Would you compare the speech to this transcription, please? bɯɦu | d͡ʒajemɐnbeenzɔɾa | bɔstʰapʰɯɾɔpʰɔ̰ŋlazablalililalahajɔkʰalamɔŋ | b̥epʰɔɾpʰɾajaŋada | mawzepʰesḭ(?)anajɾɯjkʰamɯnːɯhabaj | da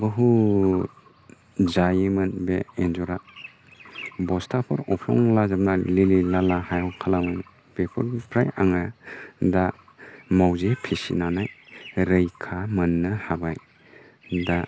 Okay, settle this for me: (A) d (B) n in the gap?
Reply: B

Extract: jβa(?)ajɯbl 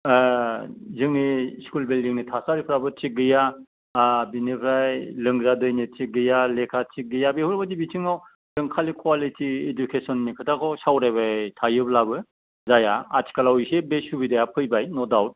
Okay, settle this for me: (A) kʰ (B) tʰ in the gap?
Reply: B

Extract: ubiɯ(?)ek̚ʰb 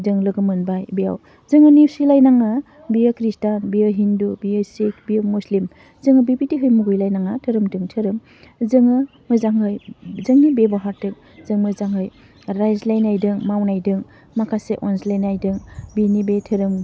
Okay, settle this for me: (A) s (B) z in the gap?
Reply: A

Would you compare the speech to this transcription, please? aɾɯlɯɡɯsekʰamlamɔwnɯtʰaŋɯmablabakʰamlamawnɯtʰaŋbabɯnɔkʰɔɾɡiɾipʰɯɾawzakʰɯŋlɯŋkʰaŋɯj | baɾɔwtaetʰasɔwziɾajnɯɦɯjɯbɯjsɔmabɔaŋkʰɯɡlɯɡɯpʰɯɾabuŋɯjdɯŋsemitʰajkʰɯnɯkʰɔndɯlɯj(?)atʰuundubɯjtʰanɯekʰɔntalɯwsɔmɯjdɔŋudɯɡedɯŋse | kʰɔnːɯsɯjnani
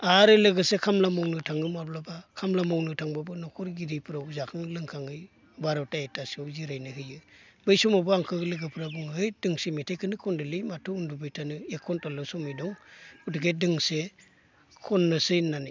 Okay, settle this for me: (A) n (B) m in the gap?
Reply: B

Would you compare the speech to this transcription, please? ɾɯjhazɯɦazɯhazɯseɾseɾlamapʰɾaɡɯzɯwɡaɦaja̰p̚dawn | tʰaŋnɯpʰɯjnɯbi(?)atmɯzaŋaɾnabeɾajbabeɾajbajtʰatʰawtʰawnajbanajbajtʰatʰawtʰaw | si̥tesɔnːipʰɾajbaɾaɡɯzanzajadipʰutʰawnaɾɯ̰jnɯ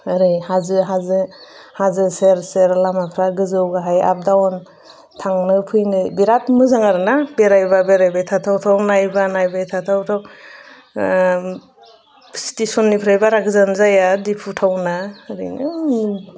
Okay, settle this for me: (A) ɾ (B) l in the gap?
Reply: A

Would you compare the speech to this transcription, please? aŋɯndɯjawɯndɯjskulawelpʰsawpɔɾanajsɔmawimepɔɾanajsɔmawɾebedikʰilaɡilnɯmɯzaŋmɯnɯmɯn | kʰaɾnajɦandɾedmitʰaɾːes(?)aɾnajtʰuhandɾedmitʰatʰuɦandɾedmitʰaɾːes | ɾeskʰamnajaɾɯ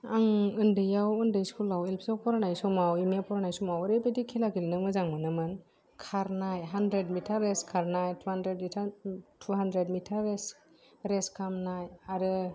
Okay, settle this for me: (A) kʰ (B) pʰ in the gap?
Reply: A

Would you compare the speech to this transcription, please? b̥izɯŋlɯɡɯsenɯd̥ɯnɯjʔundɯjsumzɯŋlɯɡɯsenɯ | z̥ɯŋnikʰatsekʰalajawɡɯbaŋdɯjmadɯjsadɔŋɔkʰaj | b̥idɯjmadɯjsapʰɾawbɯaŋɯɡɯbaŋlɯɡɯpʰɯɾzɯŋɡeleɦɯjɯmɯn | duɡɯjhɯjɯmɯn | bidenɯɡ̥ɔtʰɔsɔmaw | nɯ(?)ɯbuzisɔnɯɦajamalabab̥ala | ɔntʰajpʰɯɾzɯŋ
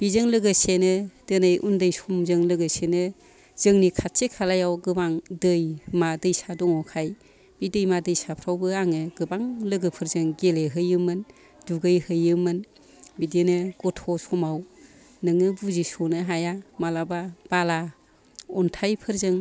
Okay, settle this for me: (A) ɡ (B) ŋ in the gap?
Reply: B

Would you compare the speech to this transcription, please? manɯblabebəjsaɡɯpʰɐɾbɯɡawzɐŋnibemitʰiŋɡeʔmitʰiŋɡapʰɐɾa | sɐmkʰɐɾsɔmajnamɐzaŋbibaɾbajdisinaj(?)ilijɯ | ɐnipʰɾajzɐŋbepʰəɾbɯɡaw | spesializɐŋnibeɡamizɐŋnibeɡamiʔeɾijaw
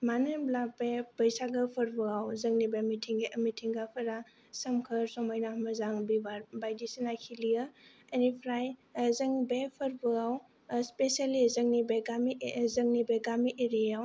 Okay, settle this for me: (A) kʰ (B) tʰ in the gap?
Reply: A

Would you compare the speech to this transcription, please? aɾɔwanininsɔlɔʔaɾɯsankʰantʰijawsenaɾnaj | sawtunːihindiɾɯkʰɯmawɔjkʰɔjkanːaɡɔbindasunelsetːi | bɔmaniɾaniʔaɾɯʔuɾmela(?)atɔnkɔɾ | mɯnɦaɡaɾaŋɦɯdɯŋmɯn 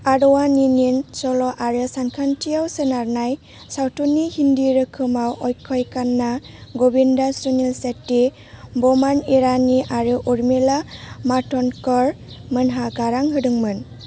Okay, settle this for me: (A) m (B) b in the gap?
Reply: A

